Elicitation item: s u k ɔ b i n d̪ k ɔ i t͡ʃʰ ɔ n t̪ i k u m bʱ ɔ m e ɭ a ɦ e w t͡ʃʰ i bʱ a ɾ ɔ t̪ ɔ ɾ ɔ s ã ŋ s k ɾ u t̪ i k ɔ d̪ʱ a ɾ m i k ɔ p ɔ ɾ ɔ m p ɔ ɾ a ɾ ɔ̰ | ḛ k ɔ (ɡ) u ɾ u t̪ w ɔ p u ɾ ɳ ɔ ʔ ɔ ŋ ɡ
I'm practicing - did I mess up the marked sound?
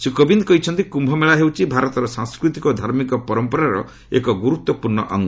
no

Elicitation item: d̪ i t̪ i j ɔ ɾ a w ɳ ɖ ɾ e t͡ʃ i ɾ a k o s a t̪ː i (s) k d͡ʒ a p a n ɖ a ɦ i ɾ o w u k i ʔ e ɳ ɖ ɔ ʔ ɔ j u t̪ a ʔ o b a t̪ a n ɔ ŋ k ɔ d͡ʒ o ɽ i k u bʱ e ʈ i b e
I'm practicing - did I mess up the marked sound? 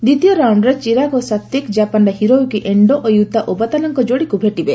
yes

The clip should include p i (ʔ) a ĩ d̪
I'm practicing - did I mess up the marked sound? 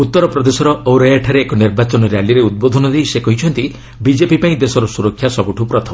yes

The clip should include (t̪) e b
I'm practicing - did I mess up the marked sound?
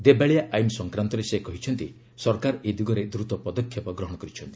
yes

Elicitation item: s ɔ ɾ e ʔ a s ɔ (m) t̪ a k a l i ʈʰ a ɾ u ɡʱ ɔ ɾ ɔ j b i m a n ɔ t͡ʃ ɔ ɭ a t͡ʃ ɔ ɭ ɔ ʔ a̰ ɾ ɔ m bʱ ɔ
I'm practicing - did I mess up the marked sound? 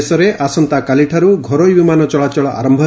yes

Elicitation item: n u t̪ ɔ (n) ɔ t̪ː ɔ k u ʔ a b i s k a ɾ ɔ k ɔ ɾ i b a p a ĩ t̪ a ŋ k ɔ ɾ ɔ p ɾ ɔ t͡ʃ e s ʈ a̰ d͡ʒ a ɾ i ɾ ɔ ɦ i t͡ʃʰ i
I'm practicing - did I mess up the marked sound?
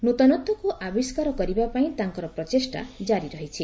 no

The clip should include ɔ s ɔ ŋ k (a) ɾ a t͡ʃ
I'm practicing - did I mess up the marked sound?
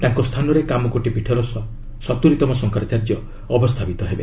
no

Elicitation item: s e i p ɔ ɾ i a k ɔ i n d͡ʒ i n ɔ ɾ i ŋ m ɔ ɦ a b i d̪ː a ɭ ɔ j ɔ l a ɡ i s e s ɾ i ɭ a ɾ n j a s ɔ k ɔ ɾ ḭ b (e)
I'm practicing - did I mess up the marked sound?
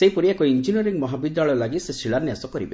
no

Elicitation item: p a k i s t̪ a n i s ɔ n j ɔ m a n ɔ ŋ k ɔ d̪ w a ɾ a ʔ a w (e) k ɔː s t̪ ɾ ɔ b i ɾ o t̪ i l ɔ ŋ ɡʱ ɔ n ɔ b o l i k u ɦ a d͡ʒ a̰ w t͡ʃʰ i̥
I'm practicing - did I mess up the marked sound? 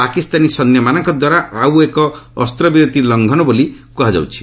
no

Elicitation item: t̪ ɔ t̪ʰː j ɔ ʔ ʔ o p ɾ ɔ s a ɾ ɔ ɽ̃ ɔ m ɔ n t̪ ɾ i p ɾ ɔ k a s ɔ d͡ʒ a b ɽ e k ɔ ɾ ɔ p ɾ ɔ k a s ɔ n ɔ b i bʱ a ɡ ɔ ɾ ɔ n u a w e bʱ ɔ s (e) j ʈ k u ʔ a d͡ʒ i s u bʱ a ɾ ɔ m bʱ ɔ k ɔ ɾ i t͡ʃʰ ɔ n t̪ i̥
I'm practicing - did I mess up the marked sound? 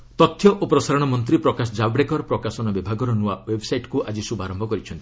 yes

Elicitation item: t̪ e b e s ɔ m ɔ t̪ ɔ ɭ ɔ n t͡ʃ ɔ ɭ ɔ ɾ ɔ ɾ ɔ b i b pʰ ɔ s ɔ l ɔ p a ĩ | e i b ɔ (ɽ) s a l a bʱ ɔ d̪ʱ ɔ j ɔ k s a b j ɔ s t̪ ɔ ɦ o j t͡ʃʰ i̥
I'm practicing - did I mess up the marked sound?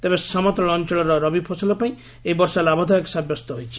yes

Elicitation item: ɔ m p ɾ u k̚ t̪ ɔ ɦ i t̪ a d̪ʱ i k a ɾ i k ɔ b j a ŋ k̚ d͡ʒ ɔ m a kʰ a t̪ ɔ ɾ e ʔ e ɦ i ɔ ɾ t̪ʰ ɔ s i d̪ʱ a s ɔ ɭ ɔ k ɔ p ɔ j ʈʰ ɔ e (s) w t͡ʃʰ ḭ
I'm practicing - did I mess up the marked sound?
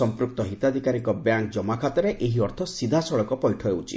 yes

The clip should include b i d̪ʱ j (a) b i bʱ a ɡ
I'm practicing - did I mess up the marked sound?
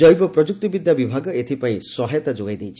no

